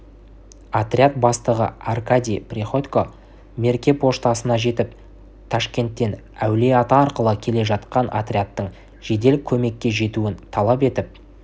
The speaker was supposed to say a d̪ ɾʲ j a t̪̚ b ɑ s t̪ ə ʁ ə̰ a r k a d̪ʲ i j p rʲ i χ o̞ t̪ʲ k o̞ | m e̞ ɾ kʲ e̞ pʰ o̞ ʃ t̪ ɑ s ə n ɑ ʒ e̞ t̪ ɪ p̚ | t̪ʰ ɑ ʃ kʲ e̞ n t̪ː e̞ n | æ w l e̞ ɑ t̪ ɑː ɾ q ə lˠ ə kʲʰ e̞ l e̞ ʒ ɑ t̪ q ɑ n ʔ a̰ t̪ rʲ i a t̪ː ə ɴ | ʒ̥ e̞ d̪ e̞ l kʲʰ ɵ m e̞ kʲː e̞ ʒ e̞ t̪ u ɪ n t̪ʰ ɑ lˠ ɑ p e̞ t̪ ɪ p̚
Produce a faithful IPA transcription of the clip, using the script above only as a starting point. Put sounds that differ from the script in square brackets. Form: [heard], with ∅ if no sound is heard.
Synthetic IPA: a [t̪] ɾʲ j a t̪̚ b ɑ s t̪ ə ʁ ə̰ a r k a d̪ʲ i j p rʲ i χ o̞ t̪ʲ k o̞ | m e̞ ɾ kʲ e̞ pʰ o̞ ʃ t̪ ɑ s ə n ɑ ʒ e̞ t̪ ɪ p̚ | t̪ʰ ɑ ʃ kʲ e̞ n t̪ː e̞ n | æ w l e̞ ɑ t̪ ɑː ɾ q ə lˠ ə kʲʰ e̞ l e̞ ʒ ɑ t̪ q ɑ n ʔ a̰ t̪ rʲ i a t̪ː ə ɴ | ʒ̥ e̞ d̪ e̞ l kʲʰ ɵ m e̞ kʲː e̞ ʒ e̞ t̪ u ɪ n t̪ʰ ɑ lˠ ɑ p e̞ t̪ ɪ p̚